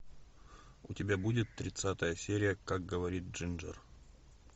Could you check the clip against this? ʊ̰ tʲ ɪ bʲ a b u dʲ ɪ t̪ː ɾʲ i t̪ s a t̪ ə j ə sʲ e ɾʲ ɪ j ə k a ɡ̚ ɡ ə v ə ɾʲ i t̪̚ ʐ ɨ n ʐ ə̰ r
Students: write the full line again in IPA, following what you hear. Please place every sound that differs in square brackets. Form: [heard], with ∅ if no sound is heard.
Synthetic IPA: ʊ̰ tʲ ɪ bʲ a b u dʲ ɪ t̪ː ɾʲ [ɪ] t̪ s a t̪ ə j ə sʲ e ɾʲ ɪ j ə k a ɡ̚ ɡ ə v [ɐ] ɾʲ i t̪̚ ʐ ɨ n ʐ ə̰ r